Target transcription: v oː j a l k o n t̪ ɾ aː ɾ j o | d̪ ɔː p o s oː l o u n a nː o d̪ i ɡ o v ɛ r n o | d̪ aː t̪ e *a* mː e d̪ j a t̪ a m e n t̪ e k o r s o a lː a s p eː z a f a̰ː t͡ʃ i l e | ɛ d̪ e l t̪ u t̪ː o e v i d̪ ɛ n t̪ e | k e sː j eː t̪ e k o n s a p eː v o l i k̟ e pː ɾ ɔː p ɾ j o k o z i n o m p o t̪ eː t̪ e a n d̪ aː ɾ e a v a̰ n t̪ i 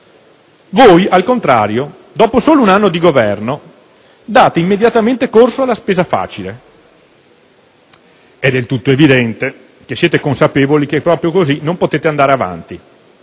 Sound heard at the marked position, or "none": i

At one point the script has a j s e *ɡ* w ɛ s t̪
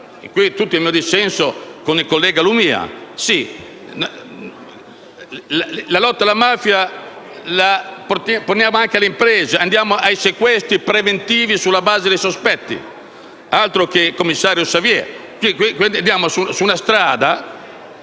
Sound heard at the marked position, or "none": k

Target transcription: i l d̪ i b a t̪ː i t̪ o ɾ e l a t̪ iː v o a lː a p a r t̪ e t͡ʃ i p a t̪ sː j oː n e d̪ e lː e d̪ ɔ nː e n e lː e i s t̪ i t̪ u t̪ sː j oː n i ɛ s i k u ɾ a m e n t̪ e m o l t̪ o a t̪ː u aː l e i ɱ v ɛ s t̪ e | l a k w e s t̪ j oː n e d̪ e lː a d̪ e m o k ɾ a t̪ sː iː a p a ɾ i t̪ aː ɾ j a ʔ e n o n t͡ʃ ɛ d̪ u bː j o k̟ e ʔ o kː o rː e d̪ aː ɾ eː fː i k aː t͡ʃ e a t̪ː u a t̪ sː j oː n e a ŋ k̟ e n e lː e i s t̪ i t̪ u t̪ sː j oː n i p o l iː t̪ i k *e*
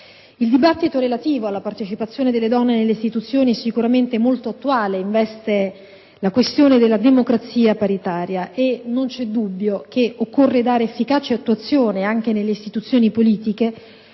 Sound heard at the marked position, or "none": e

